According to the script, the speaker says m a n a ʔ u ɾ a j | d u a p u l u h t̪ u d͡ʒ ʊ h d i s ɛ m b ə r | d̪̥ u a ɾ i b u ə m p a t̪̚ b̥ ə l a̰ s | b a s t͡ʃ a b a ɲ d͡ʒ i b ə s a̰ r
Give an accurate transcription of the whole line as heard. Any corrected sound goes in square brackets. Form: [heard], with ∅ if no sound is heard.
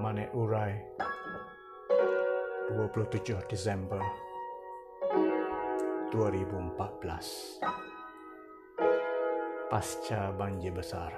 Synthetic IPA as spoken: m a n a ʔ u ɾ a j | d u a p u l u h t̪ u d͡ʒ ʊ h d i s ɛ m b ə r | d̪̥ u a ɾ i b u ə m p a t̪̚ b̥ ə l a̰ s | [p] a s t͡ʃ a b a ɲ d͡ʒ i b ə s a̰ r